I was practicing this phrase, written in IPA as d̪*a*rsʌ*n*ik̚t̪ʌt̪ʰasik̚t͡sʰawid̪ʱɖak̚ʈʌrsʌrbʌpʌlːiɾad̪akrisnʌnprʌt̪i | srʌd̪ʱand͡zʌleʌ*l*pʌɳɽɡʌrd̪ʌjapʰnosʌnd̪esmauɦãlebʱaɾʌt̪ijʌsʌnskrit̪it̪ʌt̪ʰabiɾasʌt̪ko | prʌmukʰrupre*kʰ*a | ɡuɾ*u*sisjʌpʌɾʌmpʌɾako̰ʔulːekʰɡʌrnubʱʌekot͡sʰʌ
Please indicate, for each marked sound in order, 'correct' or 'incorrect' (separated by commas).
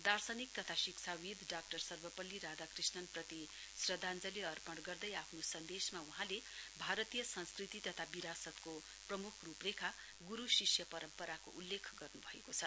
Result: correct, correct, incorrect, correct, correct